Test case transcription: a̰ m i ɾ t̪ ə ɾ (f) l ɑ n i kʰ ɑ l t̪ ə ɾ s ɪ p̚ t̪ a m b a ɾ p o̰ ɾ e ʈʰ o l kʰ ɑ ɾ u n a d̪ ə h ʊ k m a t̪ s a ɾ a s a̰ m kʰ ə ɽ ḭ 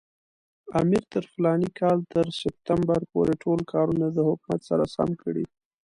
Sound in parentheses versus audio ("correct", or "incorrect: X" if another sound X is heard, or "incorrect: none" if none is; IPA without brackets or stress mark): correct